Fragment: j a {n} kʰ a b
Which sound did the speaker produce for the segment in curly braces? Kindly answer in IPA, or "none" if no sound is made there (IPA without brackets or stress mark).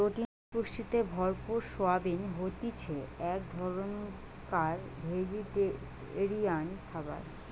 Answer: n